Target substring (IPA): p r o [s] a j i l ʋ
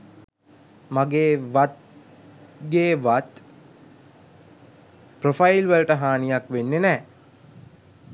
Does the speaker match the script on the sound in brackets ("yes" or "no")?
no